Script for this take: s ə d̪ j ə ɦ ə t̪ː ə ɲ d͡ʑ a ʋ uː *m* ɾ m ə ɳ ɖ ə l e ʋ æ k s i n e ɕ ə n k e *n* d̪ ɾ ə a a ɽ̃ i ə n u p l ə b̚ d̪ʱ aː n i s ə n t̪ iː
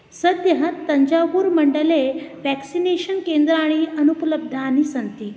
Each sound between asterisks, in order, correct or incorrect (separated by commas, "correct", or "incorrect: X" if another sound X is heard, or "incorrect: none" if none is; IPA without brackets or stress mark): incorrect: none, correct